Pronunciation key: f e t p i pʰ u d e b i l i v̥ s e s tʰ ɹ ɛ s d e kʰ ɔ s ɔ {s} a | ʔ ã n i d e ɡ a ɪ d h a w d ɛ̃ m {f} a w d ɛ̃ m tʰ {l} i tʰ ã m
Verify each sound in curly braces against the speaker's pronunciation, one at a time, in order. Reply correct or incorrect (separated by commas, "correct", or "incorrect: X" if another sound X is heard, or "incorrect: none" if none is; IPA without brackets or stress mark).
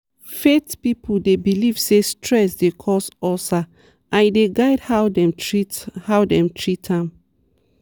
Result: correct, incorrect: h, incorrect: ɹ